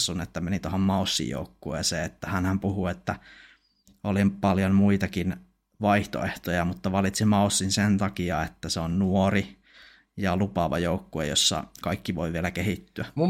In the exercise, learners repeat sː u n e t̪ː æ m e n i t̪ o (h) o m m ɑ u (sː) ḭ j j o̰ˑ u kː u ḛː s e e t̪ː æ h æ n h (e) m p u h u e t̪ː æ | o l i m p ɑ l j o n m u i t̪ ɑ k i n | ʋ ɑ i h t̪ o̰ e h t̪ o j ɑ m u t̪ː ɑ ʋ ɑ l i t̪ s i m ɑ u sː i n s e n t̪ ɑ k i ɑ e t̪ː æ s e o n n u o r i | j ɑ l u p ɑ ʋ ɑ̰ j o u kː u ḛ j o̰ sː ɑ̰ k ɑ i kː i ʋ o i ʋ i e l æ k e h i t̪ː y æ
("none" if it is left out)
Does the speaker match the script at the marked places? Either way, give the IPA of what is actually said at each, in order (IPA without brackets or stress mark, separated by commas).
h, sː, æ